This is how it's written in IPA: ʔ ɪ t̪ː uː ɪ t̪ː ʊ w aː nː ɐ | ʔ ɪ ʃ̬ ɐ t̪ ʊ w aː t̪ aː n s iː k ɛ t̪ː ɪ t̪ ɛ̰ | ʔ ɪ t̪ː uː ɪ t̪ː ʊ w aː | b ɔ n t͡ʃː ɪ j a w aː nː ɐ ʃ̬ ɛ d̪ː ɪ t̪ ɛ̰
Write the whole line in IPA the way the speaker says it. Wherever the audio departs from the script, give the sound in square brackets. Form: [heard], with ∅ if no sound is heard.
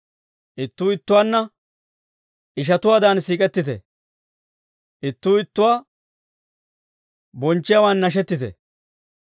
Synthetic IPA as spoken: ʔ ɪ t̪ː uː ɪ t̪ː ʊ w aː nː ɐ | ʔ ɪ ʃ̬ ɐ t̪ ʊ w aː [d̪] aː n s iː [kʼ] ɛ t̪ː ɪ t̪ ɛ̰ | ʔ ɪ t̪ː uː ɪ t̪ː ʊ w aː | b ɔ n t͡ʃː ɪ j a w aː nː ɐ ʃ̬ ɛ [t̪ː] ɪ t̪ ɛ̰